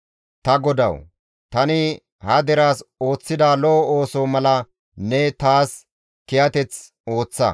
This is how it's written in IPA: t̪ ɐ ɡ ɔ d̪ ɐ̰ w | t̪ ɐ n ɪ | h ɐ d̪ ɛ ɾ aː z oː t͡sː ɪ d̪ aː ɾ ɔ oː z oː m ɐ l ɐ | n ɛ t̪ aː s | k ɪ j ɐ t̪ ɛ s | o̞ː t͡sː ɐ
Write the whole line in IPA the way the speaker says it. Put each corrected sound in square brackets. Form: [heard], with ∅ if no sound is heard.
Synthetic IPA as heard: t̪ ɐ ɡ ɔ d̪ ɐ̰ w | t̪ ɐ n ɪ | h ɐ d̪ ɛ ɾ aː [s] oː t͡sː ɪ d̪ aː [l] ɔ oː [s] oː m ɐ l ɐ | n ɛ t̪ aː s | k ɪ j ɐ t̪ ɛ [t͡s] | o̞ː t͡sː ɐ